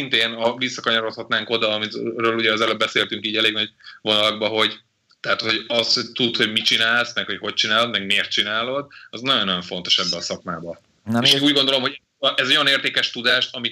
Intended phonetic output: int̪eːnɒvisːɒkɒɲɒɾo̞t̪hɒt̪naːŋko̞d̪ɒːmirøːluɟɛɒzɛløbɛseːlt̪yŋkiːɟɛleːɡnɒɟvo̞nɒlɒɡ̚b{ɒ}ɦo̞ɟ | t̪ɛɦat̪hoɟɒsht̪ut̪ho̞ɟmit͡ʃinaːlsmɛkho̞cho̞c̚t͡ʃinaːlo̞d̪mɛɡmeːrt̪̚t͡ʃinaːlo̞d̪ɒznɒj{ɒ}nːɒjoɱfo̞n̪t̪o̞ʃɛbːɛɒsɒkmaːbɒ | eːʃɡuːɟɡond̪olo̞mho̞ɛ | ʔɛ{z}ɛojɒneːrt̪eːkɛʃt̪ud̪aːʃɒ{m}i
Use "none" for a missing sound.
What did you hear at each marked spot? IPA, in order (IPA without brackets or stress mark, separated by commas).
ɒ, o, z, m